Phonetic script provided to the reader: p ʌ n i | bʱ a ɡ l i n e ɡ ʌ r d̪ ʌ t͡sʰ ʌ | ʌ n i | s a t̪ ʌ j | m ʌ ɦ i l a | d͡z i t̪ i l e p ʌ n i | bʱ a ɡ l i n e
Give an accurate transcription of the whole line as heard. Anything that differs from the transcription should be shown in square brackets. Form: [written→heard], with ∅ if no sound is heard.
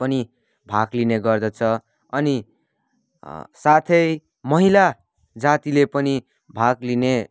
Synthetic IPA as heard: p ʌ n i | bʱ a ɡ l i n e ɡ ʌ r d̪ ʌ t͡sʰ ʌ | ʌ n i | s a [t̪→t̪ʰ] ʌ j | m ʌ ɦ i l a | d͡z [i→a] t̪ i l e p ʌ n i | bʱ a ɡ l i n e